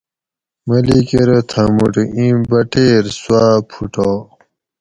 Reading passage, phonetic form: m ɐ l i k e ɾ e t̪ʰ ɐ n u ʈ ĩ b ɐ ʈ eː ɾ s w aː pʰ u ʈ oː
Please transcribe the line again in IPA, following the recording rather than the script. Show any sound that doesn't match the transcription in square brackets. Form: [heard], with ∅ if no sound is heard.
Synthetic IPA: m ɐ l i k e ɾ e t̪ʰ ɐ [m] u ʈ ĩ b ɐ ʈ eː ɾ s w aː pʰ u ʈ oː